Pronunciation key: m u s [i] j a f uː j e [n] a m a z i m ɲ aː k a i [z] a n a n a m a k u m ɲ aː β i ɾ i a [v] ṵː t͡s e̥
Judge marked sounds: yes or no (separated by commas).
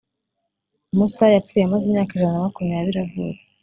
no, no, no, yes